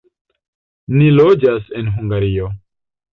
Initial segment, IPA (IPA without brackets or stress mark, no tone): n